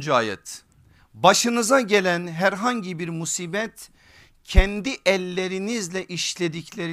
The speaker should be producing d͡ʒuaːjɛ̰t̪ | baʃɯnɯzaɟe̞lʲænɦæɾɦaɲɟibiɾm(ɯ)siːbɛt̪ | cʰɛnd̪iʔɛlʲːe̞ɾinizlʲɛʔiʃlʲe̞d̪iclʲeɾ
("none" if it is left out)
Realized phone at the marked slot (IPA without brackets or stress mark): u